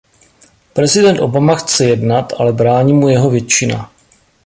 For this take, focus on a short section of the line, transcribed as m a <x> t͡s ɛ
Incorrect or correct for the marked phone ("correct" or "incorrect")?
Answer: correct